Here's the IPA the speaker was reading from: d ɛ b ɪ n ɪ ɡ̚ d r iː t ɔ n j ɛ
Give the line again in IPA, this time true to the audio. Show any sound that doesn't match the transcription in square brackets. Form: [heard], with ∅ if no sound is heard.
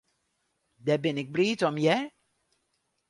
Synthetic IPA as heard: d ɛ b ɪ n ɪ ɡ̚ [b] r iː t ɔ [m] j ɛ